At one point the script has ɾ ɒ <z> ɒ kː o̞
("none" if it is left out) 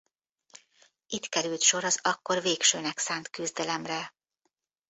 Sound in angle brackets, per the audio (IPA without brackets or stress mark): z